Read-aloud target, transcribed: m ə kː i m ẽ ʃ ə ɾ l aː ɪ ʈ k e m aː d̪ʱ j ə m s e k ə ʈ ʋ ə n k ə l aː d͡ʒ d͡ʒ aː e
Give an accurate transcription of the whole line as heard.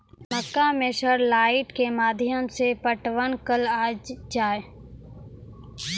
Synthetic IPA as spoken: m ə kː a m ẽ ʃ ə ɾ l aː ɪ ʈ k e m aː d̪ʱ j ə m s e p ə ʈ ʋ ə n k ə l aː d͡ʒ d͡ʒ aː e